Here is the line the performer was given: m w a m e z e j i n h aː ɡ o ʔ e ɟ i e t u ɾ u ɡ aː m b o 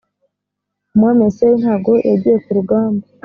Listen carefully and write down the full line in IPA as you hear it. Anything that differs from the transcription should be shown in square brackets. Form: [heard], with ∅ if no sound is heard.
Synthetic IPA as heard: m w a m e [s] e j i n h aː ɡ o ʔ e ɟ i e [k] u ɾ u ɡ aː m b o